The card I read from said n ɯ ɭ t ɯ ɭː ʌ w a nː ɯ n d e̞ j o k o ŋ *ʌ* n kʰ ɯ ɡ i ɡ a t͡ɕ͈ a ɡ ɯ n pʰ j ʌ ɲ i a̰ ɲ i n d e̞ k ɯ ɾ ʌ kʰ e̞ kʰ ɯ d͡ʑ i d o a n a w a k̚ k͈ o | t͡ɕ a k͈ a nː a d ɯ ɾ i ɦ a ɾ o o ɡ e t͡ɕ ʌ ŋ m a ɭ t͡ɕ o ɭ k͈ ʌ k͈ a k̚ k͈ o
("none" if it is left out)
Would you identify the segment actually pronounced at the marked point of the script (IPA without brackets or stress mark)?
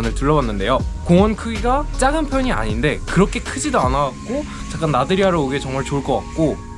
ʌ